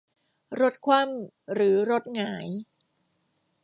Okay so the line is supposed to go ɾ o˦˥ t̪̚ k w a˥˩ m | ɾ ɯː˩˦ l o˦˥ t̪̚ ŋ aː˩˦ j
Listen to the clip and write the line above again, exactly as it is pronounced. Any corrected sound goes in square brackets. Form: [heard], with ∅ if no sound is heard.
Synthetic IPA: ɾ o˦˥ t̪̚ [kʰ] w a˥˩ m | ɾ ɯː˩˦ [ɾ] o˦˥ t̪̚ ŋ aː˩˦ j

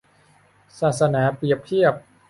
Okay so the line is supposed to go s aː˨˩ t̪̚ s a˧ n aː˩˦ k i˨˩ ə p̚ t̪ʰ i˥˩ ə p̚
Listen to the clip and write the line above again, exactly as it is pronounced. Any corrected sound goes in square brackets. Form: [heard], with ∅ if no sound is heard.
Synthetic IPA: s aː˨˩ t̪̚ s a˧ n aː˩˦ [p] i˨˩ ə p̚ t̪ʰ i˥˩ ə p̚

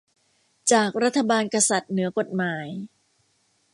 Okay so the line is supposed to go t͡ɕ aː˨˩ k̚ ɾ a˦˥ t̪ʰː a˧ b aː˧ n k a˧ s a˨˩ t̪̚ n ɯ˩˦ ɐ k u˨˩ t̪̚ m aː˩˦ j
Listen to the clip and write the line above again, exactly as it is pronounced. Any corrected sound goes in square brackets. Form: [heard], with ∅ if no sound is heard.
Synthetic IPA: t͡ɕ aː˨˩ k̚ ɾ a˦˥ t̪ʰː a˧ b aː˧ n k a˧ s a˨˩ t̪̚ n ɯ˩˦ ɐ k [o˨˩] t̪̚ m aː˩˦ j

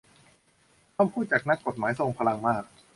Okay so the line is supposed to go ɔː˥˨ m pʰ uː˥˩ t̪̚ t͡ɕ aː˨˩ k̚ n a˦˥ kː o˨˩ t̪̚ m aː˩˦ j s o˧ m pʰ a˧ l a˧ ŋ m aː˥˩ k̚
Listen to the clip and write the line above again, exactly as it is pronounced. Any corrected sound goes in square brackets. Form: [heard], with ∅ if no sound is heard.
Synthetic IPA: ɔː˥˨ m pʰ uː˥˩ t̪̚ t͡ɕ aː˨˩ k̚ n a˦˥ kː o˨˩ t̪̚ m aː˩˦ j s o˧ [ŋ] pʰ a˧ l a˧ ŋ m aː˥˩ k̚

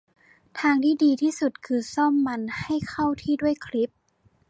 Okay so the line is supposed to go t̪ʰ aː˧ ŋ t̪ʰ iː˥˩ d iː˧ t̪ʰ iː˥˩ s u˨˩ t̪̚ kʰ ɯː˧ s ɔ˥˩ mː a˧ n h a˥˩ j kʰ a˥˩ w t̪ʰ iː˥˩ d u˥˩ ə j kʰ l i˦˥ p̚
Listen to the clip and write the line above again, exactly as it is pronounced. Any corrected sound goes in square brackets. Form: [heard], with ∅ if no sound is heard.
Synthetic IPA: t̪ʰ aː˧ ŋ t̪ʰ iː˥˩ d iː˧ t̪ʰ iː˥˩ s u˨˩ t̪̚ kʰ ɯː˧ s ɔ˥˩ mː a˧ n h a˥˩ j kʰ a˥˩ w t̪ʰ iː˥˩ d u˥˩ ə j kʰ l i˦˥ p̚

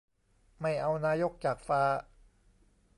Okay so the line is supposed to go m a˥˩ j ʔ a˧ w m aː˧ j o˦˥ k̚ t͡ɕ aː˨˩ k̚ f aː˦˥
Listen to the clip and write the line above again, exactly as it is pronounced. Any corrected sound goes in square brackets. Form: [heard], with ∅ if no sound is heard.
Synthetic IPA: m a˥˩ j ʔ a˧ w [n] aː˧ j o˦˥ k̚ t͡ɕ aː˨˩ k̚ f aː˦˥

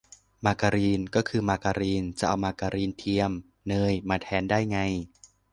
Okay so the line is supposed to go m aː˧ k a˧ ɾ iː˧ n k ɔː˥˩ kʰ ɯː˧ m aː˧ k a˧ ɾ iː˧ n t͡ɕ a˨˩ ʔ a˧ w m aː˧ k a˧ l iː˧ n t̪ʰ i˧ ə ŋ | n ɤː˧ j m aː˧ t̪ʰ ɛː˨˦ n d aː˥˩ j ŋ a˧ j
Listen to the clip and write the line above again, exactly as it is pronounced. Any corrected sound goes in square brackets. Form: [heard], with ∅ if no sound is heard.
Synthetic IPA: m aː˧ k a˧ ɾ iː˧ n k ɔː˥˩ kʰ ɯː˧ m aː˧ k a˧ ɾ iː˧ n t͡ɕ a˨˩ ʔ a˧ w m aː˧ k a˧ [ɾ] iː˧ n t̪ʰ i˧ ə [m] | n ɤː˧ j m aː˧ t̪ʰ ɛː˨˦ n d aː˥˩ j ŋ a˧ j

